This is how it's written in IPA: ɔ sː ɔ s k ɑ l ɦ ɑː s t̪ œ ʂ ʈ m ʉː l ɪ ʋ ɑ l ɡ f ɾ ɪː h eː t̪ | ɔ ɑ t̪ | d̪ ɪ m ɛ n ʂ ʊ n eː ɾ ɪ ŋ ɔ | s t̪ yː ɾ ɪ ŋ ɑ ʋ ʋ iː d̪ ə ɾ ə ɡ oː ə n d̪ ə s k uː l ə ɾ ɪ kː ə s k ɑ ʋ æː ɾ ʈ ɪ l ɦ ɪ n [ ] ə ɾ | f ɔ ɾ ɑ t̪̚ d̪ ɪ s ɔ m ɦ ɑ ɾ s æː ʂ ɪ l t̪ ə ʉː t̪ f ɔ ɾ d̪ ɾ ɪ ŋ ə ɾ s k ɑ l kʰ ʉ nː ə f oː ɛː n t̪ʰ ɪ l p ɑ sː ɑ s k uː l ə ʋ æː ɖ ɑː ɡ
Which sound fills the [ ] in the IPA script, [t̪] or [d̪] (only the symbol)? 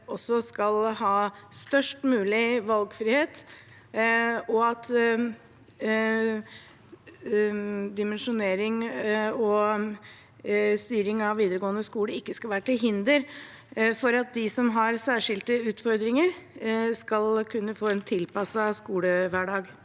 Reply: d̪